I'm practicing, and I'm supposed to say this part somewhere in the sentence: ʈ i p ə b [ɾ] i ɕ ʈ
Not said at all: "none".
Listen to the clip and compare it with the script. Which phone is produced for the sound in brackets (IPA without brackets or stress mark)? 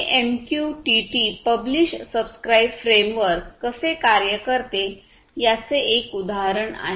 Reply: l